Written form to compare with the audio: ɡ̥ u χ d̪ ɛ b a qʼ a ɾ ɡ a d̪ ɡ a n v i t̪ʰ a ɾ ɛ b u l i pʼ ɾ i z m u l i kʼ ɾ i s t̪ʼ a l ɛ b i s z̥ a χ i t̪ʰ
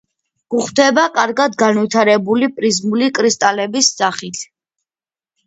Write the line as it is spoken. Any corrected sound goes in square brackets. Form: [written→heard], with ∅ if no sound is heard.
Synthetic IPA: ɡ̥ u χ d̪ ɛ b a [qʼ→kʼ] a ɾ ɡ a d̪ ɡ a n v i t̪ʰ a ɾ ɛ b u l i pʼ ɾ i z m u l i kʼ ɾ i s t̪ʼ a l ɛ b i s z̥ a χ i t̪ʰ

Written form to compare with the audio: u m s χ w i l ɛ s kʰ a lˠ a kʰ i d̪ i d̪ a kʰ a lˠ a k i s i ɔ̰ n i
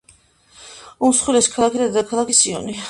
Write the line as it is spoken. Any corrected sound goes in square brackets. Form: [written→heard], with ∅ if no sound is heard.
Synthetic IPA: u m s χ w i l ɛ s kʰ a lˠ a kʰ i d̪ [i→a] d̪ a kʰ a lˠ a k i s i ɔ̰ n i

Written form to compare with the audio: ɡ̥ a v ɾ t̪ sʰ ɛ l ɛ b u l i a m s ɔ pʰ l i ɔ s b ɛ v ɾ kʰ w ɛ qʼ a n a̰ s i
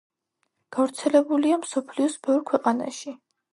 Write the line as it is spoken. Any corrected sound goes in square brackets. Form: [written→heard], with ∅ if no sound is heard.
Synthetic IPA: ɡ̥ a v ɾ t̪ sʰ ɛ l ɛ b u l i a m s ɔ pʰ l i ɔ s b ɛ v ɾ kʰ w ɛ qʼ a n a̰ [s→ʃ] i

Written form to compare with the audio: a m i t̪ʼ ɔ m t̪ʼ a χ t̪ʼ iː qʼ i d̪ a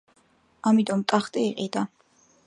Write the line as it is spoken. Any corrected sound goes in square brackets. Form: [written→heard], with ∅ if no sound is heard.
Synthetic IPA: a m i t̪ʼ ɔ m t̪ʼ a χ t̪ʼ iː qʼ i d̪ a

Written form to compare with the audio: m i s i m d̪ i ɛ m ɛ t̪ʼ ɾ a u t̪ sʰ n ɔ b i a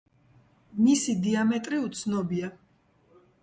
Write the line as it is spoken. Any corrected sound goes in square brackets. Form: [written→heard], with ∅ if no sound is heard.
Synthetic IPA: m i s i [m→∅] d̪ i [ɛ→a] m ɛ t̪ʼ ɾ [a→i] u t̪ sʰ n ɔ b i a

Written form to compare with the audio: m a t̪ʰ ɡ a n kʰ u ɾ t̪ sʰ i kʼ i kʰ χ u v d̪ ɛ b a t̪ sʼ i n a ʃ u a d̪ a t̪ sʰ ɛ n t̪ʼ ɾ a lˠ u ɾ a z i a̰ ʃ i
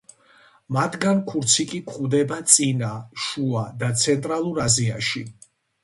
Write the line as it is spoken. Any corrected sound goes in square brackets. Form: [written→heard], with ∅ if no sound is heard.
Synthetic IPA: m a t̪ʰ ɡ a n kʰ u ɾ t̪ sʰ i kʼ i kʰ χ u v d̪ ɛ b a t̪ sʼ i n a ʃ u a d̪ a t̪ sʰ ɛ n t̪ʼ ɾ a lˠ u ɾ a z i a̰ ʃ i

